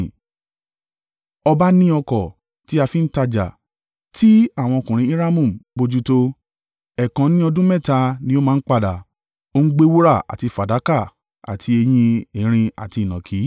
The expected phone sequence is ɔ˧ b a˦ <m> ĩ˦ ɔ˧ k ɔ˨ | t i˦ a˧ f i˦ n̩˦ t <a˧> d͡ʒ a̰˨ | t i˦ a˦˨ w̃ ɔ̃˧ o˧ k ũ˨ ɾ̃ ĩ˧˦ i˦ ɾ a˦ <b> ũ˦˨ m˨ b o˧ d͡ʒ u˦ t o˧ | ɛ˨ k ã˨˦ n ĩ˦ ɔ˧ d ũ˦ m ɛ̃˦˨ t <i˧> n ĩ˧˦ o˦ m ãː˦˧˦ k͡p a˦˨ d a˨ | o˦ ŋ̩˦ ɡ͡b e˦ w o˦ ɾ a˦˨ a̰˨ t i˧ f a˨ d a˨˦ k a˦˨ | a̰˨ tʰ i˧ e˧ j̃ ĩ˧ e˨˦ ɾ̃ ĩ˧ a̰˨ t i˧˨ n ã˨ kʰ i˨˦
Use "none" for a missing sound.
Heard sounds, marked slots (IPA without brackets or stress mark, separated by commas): n, a˧, m, a˧